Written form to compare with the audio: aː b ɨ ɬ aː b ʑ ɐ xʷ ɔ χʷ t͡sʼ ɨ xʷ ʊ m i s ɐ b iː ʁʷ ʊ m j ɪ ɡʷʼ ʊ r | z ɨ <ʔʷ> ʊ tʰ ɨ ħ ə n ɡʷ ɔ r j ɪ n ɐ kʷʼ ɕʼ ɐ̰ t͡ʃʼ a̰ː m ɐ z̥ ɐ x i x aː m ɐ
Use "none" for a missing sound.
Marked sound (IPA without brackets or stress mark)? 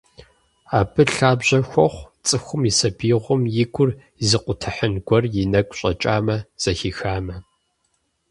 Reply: qʷ